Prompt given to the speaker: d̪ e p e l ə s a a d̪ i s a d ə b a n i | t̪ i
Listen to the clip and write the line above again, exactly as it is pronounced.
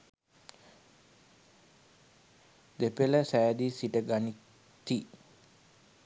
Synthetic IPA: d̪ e p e l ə s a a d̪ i s i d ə ɡ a n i | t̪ i

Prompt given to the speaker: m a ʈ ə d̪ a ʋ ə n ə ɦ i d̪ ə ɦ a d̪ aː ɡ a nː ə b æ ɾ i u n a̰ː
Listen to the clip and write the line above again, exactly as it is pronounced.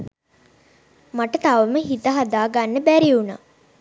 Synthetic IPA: m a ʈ ə t̪ a ʋ ə m ə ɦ i t̪ ə ɦ a d̪ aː ɡ a nː ə b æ ɾ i u n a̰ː

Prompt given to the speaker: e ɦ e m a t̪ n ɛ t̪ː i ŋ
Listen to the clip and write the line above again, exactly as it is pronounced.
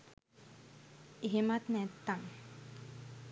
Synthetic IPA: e ɦ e m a t̪ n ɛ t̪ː a ŋ

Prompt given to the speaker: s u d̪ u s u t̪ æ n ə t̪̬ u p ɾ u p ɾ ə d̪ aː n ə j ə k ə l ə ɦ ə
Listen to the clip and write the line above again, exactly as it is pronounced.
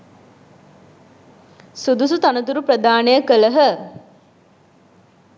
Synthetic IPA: s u d̪ u s u t̪ a n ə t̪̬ u ɾ u p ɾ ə d̪ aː n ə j ə k ə l ə ɦ ə

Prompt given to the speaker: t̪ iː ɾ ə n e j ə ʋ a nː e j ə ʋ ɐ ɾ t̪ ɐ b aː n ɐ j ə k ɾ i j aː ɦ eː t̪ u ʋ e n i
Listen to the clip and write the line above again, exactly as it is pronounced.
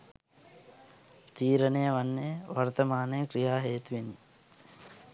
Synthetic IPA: t̪ iː ɾ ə n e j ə ʋ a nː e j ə ʋ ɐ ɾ t̪ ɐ m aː n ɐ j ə k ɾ i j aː ɦ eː t̪ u ʋ e n i

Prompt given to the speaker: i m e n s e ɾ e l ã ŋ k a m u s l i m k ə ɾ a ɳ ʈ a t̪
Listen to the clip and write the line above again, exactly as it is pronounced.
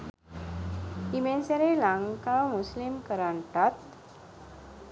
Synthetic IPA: i m e n s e ɾ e l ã ŋ k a m u s l i m k ə ɾ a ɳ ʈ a t̪

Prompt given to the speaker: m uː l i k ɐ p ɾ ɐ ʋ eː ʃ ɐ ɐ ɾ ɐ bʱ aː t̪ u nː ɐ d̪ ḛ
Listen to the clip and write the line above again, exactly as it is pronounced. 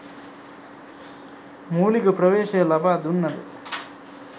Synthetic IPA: m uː l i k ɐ p ɾ ɐ ʋ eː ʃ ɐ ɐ l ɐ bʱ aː d̪ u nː ɐ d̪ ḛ

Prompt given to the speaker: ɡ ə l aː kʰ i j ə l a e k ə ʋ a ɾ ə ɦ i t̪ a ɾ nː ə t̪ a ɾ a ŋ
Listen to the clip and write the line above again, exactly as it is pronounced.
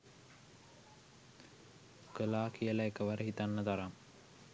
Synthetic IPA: k ə l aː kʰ i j ə l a e k ə ʋ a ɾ ə ɦ i t̪ a nː ə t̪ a ɾ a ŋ

